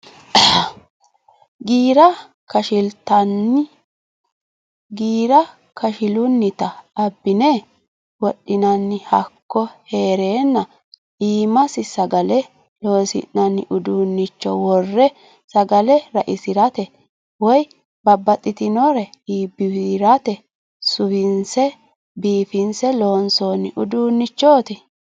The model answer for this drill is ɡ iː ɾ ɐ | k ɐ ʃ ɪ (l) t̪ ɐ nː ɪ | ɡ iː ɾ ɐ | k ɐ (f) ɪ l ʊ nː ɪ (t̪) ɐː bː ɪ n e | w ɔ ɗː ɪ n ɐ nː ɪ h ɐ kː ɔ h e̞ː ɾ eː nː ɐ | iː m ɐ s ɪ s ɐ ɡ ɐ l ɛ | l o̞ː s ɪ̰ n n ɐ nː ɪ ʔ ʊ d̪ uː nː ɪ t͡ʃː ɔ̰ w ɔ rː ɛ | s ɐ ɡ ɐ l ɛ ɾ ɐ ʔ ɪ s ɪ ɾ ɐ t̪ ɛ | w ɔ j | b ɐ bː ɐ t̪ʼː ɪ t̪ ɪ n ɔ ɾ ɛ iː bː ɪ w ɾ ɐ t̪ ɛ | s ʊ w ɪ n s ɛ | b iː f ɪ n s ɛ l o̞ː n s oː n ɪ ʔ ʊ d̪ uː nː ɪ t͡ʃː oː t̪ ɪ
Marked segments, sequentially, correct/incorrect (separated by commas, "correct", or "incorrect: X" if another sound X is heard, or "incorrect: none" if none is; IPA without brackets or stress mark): correct, incorrect: ʃ, correct